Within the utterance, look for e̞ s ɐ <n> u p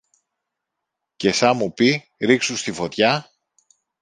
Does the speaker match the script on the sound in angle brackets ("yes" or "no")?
no